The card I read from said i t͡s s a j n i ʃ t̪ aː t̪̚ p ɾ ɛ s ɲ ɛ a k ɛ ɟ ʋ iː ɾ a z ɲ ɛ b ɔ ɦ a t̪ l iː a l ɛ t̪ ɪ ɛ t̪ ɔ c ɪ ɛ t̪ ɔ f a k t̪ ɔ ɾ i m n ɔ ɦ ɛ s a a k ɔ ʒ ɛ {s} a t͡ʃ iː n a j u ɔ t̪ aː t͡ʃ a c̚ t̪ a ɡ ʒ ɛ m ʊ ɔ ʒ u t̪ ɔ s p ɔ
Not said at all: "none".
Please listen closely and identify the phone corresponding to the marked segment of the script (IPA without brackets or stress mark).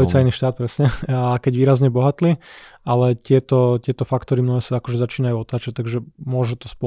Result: z